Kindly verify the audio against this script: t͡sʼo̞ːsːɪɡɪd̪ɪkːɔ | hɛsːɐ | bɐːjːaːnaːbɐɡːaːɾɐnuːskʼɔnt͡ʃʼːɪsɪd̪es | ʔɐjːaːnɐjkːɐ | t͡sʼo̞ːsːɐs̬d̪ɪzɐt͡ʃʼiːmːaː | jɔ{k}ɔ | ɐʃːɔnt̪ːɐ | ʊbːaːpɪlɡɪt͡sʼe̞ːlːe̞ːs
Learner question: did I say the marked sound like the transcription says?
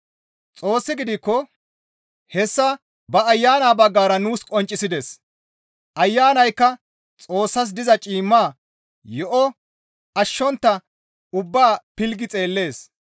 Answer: no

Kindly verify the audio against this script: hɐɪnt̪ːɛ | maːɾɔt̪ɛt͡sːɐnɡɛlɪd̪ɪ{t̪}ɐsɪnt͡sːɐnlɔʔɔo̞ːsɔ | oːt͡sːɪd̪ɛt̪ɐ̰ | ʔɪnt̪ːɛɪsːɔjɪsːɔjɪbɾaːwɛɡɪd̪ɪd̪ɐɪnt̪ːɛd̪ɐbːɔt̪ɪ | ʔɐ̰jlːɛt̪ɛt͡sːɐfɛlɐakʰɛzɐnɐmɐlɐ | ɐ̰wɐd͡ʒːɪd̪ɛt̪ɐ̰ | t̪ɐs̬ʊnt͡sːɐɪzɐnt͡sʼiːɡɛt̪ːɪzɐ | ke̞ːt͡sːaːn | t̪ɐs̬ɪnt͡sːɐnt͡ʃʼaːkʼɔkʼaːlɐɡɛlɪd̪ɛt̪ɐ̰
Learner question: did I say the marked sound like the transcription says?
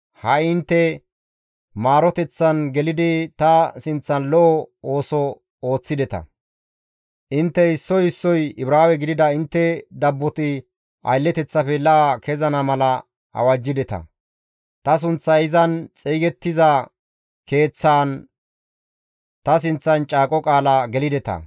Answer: yes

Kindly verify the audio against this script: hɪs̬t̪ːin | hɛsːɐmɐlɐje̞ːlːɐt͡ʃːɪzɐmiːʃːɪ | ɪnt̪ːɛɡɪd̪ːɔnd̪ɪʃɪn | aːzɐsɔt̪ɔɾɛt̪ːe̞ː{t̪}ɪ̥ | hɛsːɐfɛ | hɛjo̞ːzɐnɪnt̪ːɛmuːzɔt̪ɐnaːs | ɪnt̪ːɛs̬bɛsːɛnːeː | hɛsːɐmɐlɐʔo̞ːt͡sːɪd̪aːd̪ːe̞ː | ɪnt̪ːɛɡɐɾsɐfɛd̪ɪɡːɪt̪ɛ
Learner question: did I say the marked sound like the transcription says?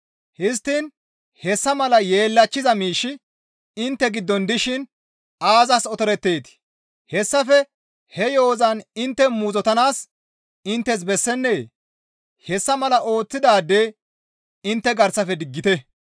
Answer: yes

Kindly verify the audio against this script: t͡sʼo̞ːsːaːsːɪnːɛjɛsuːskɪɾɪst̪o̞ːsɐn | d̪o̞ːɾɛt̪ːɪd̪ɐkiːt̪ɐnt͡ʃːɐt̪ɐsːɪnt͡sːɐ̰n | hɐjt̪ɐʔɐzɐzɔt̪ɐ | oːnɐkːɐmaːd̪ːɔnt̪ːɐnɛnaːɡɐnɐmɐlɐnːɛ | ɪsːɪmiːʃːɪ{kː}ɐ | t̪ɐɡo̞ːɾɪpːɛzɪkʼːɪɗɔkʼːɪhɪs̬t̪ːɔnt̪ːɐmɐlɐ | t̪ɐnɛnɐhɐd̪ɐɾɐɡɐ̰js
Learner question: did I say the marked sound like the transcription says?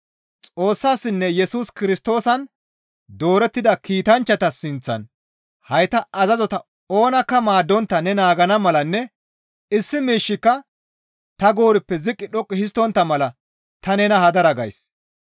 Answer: yes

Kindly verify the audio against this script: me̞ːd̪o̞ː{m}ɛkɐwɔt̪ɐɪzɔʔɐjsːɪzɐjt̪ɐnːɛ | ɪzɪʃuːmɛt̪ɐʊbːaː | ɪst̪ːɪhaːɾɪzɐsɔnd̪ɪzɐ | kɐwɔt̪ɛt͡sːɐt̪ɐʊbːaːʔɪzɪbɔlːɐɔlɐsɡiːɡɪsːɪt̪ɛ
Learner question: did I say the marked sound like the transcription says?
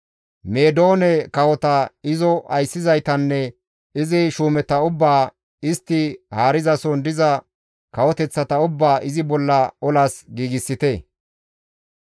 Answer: no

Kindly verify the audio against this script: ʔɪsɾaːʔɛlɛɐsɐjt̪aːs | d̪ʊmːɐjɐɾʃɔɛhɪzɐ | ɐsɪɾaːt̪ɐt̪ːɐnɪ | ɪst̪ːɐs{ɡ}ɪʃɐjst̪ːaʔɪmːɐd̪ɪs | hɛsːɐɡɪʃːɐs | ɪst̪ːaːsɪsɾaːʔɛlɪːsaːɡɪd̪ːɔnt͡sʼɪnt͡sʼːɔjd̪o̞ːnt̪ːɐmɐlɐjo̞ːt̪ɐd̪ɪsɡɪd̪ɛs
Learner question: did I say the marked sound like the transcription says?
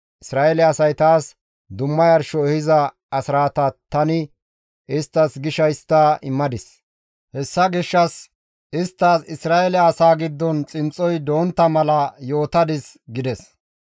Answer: yes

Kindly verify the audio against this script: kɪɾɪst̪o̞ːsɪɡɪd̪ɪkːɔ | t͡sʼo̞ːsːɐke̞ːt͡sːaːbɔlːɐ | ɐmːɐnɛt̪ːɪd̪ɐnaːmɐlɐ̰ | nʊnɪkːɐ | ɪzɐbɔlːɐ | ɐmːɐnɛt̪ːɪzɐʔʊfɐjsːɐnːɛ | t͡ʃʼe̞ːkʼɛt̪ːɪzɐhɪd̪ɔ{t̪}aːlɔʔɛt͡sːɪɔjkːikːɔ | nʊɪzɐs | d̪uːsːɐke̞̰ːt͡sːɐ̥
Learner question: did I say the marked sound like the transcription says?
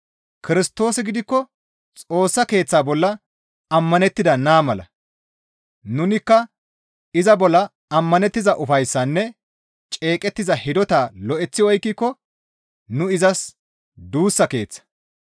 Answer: yes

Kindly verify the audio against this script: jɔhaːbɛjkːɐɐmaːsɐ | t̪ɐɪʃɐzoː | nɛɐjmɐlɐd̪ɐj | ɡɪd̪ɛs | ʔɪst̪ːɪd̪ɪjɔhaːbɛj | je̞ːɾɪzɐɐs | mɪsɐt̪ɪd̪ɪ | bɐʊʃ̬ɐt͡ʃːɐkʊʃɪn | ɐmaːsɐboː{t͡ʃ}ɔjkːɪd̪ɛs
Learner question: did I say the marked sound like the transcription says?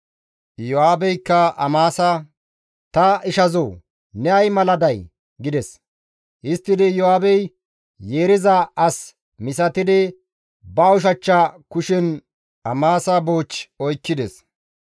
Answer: yes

